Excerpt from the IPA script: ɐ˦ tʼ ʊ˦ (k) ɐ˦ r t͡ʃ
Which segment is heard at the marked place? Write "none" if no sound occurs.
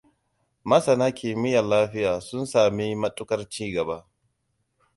k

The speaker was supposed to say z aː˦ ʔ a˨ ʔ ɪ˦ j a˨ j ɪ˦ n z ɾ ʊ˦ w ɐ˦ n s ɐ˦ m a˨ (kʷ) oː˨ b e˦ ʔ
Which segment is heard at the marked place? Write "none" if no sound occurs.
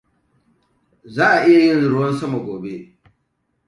ɡʷ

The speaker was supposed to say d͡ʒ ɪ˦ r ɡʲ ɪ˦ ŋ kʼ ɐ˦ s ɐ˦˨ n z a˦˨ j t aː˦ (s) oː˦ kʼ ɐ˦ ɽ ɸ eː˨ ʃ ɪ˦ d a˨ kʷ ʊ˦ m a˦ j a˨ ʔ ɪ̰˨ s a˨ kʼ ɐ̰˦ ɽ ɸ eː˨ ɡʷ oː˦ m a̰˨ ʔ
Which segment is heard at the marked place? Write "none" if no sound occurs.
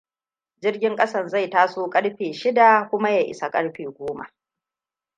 s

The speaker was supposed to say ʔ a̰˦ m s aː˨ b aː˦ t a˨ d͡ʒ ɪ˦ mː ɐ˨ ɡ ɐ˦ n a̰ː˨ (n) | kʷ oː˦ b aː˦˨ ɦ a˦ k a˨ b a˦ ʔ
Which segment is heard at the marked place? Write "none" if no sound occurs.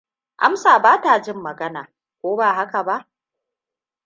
none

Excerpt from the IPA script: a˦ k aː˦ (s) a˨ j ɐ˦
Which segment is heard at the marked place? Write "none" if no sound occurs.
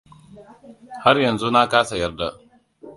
s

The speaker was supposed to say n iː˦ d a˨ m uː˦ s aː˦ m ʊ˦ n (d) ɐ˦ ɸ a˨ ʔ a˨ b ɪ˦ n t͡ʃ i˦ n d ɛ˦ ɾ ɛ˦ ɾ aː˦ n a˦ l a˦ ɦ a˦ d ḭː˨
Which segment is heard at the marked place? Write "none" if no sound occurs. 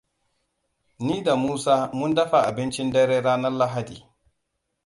d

